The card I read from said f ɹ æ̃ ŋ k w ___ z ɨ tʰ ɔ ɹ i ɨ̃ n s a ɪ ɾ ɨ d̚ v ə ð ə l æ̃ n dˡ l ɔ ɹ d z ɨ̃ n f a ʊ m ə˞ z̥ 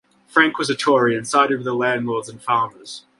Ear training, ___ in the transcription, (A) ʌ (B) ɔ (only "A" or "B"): A